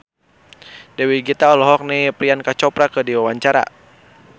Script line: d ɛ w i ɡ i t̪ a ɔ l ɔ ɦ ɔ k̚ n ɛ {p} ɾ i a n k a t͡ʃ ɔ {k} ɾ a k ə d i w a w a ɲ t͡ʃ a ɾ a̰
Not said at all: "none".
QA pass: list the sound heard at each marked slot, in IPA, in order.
p, p

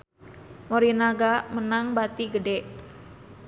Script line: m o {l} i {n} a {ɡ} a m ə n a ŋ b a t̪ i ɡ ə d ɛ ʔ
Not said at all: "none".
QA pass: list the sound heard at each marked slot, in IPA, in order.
ɾ, n, ɡ

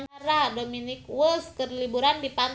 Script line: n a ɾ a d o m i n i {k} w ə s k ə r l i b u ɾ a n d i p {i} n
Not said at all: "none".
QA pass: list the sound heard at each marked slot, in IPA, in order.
k, a

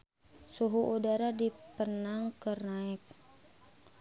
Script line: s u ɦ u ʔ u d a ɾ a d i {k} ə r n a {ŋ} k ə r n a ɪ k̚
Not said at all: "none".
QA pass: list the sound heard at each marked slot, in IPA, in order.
p, ŋ

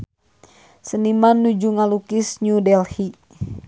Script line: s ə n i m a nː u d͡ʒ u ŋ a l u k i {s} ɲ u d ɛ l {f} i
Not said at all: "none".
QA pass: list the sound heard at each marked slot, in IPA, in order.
s, h

